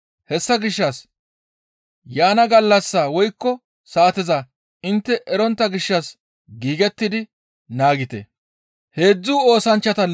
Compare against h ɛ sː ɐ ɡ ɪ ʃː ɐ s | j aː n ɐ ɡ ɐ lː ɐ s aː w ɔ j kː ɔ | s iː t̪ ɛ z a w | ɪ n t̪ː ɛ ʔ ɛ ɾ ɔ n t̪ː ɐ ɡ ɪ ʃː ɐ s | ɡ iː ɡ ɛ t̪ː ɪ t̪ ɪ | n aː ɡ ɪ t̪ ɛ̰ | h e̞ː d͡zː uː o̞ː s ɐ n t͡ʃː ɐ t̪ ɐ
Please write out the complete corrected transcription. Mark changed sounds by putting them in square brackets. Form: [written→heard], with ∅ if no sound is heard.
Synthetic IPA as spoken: h ɛ sː ɐ ɡ ɪ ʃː ɐ s | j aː n ɐ ɡ ɐ lː ɐ [s→sː] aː w ɔ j kː ɔ | s [iː→aː] t̪ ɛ z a [w→∅] | ɪ n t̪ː ɛ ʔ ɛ ɾ ɔ n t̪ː ɐ ɡ ɪ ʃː ɐ s | ɡ iː ɡ ɛ t̪ː ɪ [t̪→d̪] ɪ | n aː ɡ ɪ t̪ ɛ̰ | h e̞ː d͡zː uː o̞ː s ɐ n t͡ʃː ɐ t̪ ɐ